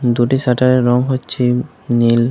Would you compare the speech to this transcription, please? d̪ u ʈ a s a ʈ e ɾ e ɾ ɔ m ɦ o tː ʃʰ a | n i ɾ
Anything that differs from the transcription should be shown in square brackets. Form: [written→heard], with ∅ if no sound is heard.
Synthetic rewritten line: d̪ u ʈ [a→i] s a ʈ [e→a] ɾ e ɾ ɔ [m→ŋ] ɦ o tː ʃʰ [a→i] | n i [ɾ→l]

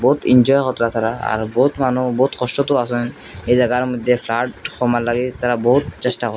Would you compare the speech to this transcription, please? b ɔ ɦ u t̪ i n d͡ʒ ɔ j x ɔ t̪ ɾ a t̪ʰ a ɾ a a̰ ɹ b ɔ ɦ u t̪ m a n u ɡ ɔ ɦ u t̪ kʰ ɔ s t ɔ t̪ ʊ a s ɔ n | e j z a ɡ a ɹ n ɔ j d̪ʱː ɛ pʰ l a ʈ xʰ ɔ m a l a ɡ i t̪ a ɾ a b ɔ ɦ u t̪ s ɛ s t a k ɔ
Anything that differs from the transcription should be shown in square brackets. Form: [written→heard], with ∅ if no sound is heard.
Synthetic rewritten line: b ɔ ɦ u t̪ i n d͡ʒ ɔ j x ɔ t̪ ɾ a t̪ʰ a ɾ a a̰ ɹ b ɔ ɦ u t̪ m a n u [ɡ→b] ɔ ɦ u t̪ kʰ ɔ s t ɔ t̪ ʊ a s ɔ n | e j z a ɡ a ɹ [n→m] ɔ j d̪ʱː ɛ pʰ l a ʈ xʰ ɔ m a l a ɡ i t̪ a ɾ a b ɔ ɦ u t̪ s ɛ s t a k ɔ

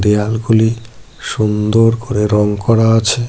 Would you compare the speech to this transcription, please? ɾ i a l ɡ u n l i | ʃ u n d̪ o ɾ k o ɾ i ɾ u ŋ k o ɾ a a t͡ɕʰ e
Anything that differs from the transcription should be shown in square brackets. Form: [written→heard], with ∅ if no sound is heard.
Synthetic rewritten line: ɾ i a l ɡ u [n→∅] l i | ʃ u n d̪ o ɾ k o ɾ [i→e] ɾ [u→ɔ] ŋ k [o→ɔ] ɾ a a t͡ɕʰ e

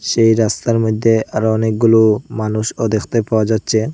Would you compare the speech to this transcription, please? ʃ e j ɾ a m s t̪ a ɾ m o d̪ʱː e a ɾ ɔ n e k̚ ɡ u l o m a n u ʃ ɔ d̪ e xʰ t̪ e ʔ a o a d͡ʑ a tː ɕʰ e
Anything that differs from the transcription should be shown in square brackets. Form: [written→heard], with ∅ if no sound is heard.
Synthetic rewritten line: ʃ e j ɾ a [m→∅] s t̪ a ɾ m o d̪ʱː e a ɾ ɔ n e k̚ ɡ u l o m a n u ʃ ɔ d̪ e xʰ t̪ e [ʔ→p] a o a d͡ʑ a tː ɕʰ e

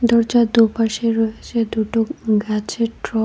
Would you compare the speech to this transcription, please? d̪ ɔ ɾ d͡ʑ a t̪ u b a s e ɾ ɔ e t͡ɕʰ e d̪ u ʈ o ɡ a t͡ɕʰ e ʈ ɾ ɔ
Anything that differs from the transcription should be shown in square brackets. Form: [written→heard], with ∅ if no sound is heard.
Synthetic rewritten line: d̪ ɔ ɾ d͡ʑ a [t̪→d̪] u [b→p] a [s→ʃ] e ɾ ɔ e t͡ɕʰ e d̪ u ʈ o ɡ a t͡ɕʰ e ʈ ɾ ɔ

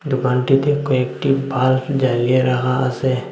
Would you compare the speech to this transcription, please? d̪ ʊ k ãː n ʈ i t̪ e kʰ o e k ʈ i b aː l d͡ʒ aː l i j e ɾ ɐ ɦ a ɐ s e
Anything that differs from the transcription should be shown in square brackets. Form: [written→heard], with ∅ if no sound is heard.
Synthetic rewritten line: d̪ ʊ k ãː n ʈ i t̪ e [kʰ→k] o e k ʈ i b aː l d͡ʒ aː l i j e ɾ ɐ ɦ a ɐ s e

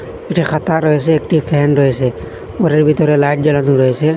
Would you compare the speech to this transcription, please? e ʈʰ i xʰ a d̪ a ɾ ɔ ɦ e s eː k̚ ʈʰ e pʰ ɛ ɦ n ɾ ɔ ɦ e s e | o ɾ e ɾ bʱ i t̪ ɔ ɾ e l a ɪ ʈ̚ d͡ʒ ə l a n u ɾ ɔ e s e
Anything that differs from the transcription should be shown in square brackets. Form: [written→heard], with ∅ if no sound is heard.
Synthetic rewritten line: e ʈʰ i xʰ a [d̪→t̪] a ɾ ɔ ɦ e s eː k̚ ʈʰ [e→i] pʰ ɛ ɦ n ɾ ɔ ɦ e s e | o ɾ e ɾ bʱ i t̪ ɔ ɾ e l a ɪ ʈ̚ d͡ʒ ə l a n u ɾ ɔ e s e

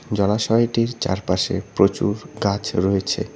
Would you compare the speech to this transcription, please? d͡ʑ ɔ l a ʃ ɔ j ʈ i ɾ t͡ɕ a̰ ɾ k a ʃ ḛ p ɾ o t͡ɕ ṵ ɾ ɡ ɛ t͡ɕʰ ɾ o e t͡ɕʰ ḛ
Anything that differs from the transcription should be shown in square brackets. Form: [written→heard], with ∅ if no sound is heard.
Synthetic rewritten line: d͡ʑ ɔ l a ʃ ɔ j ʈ i ɾ t͡ɕ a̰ ɾ [k→p] a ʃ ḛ p ɾ o t͡ɕ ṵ ɾ ɡ [ɛ→a] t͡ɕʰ ɾ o e t͡ɕʰ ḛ

